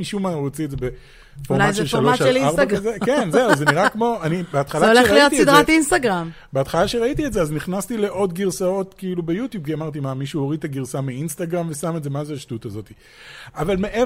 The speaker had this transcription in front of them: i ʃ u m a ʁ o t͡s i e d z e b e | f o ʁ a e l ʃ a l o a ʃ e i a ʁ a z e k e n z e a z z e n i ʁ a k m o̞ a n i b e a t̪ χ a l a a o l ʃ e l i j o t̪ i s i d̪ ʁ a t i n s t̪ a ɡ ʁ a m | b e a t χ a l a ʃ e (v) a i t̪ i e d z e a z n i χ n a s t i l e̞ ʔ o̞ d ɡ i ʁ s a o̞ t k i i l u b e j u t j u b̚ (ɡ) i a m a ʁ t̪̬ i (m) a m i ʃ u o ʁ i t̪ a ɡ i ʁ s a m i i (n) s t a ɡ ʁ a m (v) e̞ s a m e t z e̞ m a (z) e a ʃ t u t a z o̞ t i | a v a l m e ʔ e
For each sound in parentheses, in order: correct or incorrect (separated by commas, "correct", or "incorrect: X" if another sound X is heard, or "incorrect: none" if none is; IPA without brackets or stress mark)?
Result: incorrect: ʁ, incorrect: k, correct, correct, correct, correct